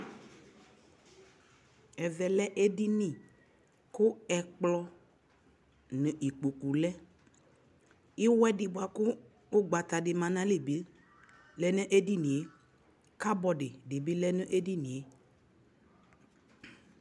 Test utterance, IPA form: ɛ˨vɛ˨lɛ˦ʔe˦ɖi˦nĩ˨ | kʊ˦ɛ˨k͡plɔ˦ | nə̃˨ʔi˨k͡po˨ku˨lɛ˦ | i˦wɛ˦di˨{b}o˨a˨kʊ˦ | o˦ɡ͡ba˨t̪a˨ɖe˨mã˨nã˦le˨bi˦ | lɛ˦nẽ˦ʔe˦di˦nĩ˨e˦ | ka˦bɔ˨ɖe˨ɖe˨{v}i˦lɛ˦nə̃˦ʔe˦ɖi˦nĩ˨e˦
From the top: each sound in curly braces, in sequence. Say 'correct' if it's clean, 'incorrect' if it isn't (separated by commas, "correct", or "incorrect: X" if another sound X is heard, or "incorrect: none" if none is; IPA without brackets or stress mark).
correct, incorrect: b